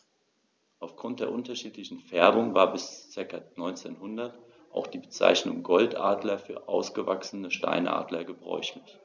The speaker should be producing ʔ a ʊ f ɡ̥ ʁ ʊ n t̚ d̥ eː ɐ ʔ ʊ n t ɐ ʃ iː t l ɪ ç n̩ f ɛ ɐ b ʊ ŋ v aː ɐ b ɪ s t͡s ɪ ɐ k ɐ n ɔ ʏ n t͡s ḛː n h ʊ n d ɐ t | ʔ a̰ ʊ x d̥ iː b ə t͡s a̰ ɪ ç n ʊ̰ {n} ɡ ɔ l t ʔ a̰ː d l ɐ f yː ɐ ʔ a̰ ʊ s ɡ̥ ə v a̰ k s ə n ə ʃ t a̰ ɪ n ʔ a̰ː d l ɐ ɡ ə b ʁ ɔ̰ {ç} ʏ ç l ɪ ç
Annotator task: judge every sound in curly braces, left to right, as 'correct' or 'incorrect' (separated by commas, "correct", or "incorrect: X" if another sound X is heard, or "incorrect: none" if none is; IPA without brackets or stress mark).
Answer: incorrect: ŋ, incorrect: none